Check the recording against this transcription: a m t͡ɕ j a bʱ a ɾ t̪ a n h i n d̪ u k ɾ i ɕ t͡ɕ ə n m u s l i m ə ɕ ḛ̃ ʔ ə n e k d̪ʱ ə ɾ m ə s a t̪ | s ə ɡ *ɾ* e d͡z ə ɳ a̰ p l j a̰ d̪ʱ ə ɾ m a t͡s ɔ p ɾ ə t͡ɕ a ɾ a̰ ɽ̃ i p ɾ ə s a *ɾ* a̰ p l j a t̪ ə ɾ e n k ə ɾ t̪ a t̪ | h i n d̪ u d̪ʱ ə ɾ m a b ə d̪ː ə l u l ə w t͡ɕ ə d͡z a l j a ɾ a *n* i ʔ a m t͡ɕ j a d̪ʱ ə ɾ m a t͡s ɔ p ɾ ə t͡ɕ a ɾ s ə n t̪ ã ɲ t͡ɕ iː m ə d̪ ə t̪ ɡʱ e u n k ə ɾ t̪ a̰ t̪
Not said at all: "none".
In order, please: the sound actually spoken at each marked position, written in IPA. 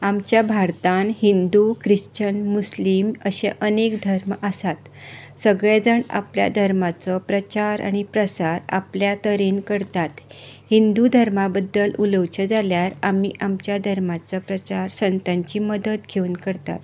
ɭ, ɾ, m

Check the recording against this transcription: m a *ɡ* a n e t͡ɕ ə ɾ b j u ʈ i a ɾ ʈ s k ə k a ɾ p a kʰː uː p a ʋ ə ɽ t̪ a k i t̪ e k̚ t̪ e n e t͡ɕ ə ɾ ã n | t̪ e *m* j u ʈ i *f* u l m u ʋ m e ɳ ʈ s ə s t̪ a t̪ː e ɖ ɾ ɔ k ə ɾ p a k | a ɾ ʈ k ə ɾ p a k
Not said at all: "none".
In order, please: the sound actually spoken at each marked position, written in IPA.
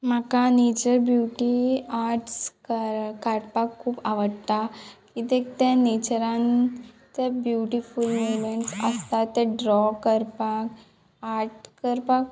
k, b, f

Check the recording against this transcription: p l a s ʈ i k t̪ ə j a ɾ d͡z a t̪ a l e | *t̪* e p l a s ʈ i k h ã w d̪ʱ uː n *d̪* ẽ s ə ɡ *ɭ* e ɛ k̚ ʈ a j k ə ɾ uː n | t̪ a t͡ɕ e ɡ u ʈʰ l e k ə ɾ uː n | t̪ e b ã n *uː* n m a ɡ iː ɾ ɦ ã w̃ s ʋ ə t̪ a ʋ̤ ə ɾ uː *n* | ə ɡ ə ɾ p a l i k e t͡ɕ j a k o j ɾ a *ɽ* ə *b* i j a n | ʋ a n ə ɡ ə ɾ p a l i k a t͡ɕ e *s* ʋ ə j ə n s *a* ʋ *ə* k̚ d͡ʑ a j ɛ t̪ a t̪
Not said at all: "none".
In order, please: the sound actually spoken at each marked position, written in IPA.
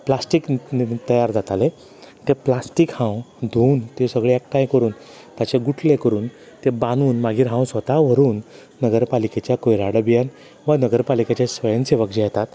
t̪, t̪, ɭ, uː, nː, ɽ, b, s, e, ə

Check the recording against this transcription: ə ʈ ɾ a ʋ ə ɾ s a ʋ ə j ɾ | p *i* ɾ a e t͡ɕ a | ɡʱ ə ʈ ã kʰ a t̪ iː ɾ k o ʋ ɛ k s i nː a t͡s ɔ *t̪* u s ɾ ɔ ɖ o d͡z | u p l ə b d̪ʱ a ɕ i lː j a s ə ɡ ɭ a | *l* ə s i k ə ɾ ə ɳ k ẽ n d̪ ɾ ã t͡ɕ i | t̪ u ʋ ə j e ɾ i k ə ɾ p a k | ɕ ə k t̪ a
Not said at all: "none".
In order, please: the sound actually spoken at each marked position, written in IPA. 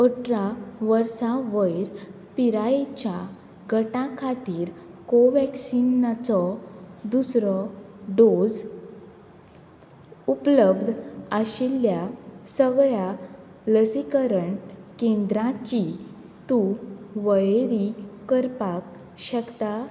i, d̪, l

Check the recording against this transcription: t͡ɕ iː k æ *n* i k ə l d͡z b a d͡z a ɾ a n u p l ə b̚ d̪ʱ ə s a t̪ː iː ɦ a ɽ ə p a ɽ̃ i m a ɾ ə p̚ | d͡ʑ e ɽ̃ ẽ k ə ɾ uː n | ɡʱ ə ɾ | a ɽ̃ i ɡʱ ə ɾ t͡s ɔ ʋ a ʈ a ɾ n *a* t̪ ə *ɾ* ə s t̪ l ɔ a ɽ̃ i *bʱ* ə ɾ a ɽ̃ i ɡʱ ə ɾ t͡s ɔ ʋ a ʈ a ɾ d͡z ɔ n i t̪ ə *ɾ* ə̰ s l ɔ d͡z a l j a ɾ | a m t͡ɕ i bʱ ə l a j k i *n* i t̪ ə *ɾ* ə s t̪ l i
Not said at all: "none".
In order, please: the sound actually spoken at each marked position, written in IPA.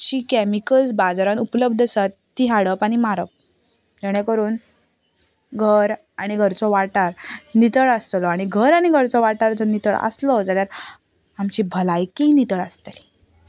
m, i, ɭ, ɡʱ, ɭ, n, ɭ

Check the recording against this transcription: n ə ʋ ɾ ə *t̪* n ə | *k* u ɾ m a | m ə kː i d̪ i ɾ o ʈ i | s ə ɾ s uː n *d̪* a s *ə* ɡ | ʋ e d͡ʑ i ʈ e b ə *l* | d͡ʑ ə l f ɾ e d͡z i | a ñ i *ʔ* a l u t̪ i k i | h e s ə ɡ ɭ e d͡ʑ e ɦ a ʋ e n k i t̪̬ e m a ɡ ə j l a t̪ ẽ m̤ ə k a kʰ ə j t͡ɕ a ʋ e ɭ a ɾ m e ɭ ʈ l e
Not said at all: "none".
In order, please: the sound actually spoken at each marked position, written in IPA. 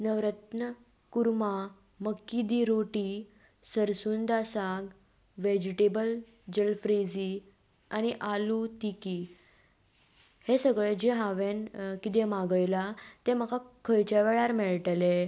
t̪, k, d̪, a, l, ʔ

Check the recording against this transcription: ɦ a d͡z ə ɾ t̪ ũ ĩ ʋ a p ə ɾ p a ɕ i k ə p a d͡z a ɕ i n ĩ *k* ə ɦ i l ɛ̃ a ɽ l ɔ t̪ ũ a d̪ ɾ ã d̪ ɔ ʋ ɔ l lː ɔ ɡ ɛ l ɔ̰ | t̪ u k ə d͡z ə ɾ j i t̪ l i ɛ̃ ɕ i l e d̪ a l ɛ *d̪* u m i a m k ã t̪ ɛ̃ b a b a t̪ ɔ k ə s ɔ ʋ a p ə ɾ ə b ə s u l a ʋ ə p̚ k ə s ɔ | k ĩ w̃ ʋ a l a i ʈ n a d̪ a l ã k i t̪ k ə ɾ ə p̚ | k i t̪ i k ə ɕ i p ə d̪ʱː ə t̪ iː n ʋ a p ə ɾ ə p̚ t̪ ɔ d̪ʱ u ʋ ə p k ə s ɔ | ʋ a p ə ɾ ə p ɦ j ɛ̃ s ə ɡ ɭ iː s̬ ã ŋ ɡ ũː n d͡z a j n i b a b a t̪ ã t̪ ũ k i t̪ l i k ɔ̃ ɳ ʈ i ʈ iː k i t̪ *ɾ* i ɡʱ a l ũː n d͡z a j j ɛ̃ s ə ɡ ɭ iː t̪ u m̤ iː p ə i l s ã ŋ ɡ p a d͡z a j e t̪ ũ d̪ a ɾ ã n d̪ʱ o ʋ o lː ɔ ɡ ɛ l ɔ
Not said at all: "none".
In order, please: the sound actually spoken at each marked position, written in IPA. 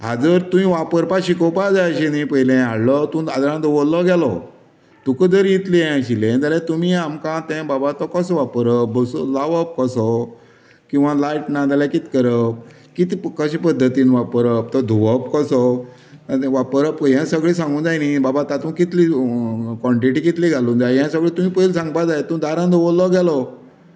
p, t̪, l

